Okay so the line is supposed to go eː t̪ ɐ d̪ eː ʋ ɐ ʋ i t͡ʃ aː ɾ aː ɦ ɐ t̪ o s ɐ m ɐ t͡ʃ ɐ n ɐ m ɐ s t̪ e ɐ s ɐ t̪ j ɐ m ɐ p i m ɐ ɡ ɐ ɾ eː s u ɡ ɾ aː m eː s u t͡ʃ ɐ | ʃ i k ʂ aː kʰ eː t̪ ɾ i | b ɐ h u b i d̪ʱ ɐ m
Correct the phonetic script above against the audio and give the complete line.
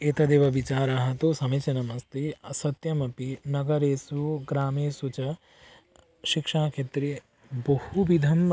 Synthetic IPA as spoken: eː t̪ ɐ d̪ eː ʋ ɐ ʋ i t͡ʃ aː ɾ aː ɦ ɐ t̪ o s ɐ m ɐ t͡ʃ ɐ n ɐ m ɐ s t̪ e ɐ s ɐ t̪ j ɐ m ɐ p i n ɐ ɡ ɐ ɾ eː s u ɡ ɾ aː m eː s u t͡ʃ ɐ | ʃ i k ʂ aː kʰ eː t̪ ɾ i | b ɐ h u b i d̪ʱ ɐ m